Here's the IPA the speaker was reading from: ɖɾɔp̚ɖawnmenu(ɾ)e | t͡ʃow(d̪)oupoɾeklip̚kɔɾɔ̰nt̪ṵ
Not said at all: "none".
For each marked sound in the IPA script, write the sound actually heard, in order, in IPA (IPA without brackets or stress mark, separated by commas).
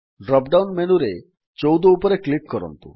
ɾ, d̪